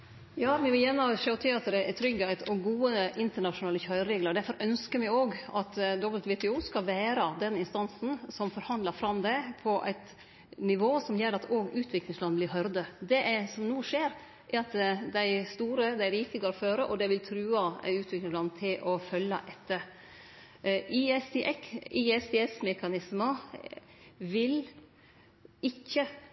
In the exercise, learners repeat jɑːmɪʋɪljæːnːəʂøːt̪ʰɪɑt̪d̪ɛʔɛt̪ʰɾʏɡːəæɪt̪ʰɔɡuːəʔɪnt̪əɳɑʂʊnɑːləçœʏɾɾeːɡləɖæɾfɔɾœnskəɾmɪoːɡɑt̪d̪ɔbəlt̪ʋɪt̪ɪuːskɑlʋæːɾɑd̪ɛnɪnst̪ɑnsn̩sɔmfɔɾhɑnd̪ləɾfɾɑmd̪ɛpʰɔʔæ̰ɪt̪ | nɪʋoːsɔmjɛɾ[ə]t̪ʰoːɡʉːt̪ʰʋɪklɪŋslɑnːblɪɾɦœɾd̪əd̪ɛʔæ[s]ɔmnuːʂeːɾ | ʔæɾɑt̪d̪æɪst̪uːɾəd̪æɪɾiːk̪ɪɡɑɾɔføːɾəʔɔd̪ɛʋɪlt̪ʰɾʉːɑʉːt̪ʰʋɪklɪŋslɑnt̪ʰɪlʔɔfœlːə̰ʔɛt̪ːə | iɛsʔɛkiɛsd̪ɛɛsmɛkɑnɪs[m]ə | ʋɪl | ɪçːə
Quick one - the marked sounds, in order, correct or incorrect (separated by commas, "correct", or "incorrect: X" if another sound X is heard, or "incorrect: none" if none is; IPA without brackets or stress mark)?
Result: incorrect: ɑ, correct, correct